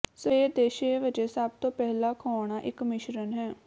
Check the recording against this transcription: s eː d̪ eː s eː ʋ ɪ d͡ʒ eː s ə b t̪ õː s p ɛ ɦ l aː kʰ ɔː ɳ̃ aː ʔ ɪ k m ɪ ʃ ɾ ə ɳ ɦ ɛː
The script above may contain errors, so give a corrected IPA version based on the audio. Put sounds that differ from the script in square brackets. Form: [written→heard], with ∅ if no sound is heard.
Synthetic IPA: s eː d̪ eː [s→ʃ] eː ʋ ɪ d͡ʒ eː s ə b t̪ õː [s→∅] p ɛ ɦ l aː kʰ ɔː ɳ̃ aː ʔ ɪ k m ɪ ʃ ɾ ə [ɳ→n] ɦ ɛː